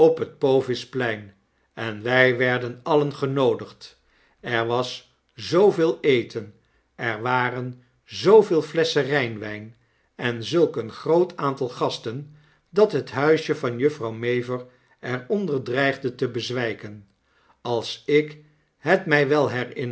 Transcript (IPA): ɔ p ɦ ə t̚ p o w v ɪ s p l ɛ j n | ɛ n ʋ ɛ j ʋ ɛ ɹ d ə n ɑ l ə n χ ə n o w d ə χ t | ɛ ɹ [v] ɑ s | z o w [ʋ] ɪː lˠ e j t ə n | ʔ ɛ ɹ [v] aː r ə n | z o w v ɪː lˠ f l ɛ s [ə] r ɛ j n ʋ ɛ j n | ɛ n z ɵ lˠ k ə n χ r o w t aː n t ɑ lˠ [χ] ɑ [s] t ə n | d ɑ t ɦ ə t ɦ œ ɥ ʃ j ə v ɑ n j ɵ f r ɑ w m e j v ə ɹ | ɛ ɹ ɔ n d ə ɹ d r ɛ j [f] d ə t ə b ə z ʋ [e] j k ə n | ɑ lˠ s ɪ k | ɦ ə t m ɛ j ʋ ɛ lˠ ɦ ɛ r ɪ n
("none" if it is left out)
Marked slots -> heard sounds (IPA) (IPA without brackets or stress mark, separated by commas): ʋ, v, ʋ, ə, χ, s, χ, ɛ